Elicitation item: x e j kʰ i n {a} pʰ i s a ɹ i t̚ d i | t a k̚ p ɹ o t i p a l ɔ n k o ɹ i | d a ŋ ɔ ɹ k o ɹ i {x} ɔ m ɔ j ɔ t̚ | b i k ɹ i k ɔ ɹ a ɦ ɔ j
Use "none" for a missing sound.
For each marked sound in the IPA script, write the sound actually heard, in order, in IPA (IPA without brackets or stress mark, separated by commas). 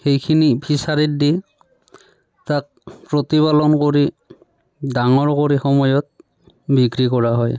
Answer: i, x